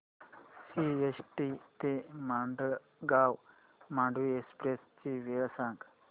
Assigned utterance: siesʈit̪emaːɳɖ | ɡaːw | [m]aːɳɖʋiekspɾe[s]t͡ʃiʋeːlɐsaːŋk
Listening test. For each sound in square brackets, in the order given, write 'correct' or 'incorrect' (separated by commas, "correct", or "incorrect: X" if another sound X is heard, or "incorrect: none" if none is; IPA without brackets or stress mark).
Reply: correct, correct